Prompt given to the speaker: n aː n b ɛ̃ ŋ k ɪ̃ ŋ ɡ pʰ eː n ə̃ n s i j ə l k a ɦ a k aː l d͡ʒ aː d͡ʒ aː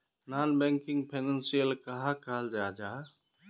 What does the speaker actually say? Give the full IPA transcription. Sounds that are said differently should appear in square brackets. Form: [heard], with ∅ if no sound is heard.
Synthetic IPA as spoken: n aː n b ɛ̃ ŋ k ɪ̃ ŋ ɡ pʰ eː n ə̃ n s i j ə l k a ɦ a k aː l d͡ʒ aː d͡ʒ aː